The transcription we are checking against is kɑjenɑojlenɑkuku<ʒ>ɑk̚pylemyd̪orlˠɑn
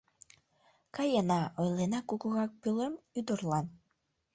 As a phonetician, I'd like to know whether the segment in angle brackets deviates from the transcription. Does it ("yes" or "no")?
yes